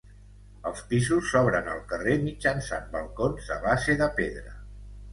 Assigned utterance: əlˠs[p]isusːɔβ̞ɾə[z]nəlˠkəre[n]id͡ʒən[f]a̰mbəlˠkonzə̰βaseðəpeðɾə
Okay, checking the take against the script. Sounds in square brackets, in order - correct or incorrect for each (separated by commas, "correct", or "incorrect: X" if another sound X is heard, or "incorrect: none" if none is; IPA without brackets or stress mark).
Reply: correct, incorrect: none, incorrect: m, incorrect: s